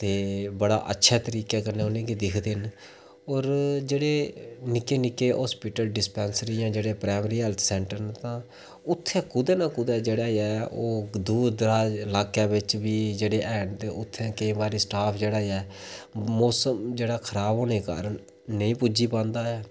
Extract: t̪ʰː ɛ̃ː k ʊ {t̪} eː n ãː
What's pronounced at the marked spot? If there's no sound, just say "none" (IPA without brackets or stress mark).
d̪